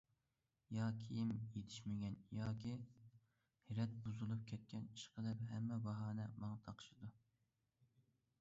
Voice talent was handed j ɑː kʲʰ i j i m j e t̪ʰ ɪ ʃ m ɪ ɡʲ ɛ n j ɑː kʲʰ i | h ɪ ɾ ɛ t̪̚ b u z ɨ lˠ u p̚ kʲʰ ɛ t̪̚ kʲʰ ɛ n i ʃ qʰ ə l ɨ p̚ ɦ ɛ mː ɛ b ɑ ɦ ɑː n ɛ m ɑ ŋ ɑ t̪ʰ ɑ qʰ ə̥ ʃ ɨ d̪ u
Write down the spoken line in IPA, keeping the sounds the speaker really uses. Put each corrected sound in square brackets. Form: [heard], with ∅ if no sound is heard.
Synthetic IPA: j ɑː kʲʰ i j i m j e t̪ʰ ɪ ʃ m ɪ ɡʲ ɛ n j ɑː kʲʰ i | h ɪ ɾ ɛ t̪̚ b u z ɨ lˠ u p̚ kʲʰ ɛ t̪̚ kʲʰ ɛ n i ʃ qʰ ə l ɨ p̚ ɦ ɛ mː ɛ b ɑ ɦ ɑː n ɛ m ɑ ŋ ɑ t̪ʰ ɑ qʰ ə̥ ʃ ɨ d̪ u